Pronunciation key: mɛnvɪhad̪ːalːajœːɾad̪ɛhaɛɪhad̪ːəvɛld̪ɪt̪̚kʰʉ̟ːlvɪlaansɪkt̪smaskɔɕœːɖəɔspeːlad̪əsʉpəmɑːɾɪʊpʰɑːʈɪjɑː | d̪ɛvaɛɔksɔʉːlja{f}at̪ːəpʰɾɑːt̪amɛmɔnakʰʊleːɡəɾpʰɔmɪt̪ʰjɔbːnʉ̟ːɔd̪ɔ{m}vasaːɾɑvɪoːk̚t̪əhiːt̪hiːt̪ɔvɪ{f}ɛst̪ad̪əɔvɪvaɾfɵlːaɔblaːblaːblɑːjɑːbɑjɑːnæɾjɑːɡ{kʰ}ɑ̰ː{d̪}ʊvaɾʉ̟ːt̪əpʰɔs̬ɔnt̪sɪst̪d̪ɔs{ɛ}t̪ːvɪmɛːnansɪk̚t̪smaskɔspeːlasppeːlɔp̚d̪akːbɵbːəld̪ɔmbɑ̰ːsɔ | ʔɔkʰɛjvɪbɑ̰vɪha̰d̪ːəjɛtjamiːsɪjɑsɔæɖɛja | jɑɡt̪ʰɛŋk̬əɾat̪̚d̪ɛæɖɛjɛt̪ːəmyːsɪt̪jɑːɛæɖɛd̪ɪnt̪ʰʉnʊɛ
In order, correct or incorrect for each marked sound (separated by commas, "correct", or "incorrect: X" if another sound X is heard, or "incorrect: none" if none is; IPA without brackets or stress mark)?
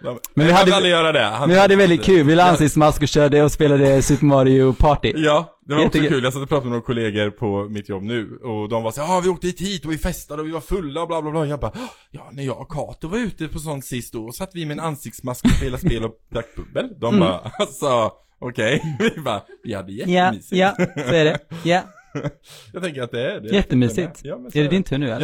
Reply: incorrect: s, correct, correct, correct, incorrect: t̪, incorrect: a